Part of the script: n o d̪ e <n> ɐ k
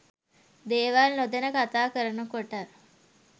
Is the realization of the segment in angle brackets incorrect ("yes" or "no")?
no